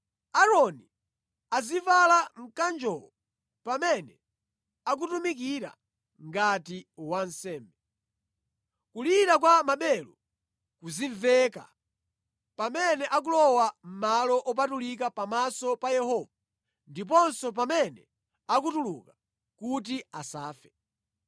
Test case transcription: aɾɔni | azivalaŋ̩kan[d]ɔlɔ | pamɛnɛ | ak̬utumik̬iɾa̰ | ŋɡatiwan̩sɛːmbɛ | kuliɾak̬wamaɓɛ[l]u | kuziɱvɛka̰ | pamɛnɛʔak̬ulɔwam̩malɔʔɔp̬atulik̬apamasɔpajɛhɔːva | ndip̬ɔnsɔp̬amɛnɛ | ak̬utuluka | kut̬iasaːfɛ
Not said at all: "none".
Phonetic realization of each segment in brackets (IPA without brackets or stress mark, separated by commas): d͡ʒ, l